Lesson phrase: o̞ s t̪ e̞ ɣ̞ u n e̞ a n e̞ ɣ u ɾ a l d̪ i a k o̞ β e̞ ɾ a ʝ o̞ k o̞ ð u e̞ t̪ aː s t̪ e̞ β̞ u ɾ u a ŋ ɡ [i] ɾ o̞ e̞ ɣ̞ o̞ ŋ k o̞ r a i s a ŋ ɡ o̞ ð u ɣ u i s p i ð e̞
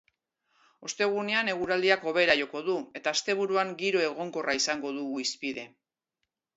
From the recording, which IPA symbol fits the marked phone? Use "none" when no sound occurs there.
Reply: i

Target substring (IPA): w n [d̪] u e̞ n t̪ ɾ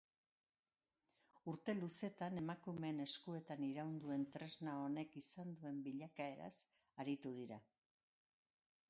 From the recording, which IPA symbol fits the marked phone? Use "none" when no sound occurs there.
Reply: d̪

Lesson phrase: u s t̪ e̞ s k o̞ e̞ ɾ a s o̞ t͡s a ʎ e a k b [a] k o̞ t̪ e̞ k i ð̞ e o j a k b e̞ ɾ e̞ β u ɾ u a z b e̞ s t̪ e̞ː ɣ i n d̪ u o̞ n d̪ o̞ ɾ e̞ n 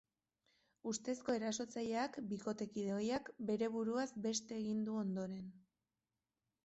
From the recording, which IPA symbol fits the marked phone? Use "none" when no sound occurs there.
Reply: i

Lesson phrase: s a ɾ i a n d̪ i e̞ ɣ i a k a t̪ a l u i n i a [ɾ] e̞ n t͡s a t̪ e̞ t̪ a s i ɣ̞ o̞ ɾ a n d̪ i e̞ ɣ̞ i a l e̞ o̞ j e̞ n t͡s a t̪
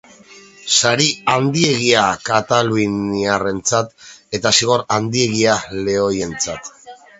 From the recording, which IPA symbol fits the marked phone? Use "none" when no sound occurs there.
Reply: r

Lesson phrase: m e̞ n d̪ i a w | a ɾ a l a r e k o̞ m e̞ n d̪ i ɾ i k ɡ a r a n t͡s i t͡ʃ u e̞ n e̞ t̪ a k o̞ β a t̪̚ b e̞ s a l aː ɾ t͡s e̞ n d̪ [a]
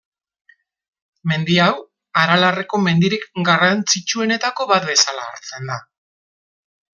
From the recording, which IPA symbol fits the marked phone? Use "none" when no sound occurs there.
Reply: a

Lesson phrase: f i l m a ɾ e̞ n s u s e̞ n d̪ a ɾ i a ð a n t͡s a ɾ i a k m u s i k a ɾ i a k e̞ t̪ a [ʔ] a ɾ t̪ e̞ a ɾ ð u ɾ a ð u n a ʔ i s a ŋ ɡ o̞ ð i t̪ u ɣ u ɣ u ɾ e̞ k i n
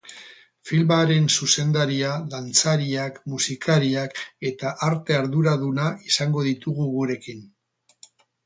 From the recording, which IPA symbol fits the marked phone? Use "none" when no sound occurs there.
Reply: ʔ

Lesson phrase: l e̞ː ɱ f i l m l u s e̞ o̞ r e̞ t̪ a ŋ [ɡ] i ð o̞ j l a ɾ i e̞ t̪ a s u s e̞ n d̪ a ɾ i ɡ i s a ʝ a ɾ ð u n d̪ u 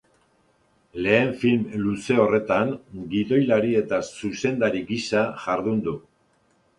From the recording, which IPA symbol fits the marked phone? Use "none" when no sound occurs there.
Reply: ɡ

